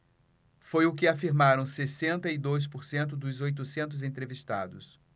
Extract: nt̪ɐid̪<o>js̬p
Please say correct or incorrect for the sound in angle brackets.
correct